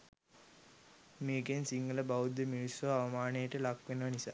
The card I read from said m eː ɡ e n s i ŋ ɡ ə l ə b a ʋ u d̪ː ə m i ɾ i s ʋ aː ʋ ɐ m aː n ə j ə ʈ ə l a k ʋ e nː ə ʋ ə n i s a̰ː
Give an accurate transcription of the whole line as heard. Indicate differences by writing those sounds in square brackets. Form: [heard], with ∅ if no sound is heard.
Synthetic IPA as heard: m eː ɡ e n s i ŋ ɡ ə l ə b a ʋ u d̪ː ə m i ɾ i s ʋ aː ʋ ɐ m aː n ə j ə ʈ ə l a k ʋ e [n] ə ʋ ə n i s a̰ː